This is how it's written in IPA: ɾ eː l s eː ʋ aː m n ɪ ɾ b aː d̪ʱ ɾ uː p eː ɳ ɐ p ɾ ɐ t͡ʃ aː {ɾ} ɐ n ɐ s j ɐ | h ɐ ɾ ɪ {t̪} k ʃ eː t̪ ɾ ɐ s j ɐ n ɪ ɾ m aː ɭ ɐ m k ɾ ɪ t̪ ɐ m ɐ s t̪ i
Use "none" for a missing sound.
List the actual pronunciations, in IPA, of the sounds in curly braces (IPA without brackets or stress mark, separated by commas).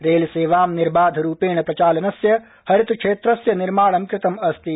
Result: l, t̪